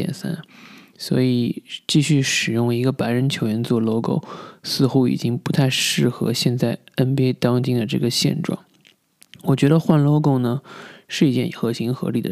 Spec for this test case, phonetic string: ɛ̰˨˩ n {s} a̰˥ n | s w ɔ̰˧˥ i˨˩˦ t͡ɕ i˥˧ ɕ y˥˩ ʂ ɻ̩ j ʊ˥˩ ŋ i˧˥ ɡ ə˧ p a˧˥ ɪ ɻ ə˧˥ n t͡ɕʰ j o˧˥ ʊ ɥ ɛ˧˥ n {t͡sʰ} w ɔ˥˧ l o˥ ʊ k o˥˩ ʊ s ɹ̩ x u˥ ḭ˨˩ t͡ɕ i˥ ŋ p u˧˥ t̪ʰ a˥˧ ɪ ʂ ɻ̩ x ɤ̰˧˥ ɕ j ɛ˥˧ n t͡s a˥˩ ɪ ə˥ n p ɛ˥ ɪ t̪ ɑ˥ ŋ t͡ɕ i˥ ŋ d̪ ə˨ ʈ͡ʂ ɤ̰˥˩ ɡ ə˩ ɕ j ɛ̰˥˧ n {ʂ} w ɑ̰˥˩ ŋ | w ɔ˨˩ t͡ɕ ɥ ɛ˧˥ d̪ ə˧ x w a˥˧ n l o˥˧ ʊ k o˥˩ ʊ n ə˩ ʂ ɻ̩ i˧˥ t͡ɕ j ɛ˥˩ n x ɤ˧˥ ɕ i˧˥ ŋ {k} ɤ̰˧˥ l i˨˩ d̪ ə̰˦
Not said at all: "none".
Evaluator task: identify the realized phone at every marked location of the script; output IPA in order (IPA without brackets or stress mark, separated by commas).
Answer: s, t͡s, ʈ͡ʂ, x